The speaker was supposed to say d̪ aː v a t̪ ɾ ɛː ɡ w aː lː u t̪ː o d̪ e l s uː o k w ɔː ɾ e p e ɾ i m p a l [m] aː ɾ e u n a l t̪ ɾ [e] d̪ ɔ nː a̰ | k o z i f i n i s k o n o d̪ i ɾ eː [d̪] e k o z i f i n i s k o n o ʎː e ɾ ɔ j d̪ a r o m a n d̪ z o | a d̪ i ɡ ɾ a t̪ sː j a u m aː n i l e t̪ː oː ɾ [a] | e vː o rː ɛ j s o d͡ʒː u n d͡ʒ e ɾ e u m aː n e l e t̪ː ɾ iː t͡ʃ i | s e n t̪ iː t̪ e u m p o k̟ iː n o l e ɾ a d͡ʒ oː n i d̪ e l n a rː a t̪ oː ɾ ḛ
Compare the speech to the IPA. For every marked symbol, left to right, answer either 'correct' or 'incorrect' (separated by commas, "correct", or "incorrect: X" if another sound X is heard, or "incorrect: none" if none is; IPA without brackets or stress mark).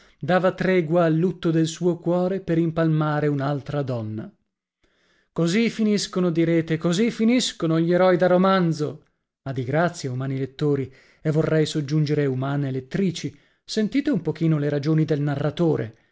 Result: correct, incorrect: a, incorrect: t̪, incorrect: i